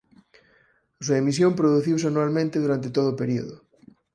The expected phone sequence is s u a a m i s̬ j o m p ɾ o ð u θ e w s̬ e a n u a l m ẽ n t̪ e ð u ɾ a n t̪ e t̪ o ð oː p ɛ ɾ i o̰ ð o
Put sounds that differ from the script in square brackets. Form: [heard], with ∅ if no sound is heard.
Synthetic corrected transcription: s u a [e] m i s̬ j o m p ɾ o ð u θ [i] w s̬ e a n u a l m ẽ n t̪ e ð u ɾ a n t̪ e t̪ o ð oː p [e] ɾ i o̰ ð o

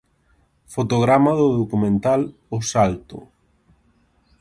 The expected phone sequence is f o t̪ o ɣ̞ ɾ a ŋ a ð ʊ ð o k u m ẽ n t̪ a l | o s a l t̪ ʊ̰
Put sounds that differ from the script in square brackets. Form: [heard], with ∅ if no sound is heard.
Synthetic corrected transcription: f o t̪ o ɣ̞ ɾ a [m] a ð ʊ ð o k u m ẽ n t̪ a l | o s a l t̪ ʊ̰

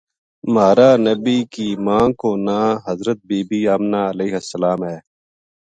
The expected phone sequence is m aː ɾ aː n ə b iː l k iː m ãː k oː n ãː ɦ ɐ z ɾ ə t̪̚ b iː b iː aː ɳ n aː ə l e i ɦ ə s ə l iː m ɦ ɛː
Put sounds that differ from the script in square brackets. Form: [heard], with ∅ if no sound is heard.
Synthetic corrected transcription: m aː ɾ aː n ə b iː [∅] k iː m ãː k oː n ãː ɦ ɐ z ɾ ə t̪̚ b iː b iː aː [m] n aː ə l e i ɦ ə s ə l [aː] m ɦ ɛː

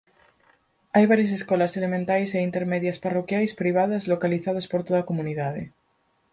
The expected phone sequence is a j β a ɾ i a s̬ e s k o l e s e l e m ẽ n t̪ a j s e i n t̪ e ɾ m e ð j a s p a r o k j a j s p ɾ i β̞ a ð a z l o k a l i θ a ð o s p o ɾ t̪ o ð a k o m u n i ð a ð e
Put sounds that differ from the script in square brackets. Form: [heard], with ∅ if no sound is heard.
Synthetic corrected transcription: a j β a ɾ [j] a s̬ e s k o l [a] s e l e m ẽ n t̪ a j s e i n t̪ e ɾ m e ð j a s p a r o k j a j s p ɾ i β̞ a ð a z l o k a l i θ a ð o s p o ɾ t̪ o ð a k o m u n i ð a ð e

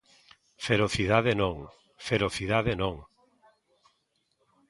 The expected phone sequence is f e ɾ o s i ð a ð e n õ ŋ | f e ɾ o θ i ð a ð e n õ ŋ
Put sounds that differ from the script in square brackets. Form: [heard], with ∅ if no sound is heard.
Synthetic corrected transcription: f e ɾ o [θ] i ð a ð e n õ ŋ | f e ɾ o θ i ð a ð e n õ ŋ

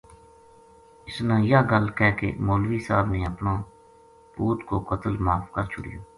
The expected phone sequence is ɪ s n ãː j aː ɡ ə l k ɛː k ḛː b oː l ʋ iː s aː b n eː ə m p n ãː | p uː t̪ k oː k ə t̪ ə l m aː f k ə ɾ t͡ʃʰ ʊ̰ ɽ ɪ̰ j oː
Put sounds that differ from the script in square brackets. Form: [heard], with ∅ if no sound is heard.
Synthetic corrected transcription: ɪ s n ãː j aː ɡ ə l k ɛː k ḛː [m] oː l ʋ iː s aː b n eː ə [∅] p n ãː | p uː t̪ k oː k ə t̪ ə l m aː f k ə ɾ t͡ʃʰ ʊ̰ ɽ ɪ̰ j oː

